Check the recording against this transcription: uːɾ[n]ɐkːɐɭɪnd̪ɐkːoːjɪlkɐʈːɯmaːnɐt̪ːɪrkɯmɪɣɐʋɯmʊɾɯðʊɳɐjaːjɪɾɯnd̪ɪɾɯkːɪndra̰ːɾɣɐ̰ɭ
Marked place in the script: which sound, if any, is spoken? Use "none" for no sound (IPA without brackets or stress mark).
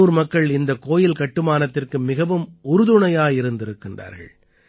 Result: m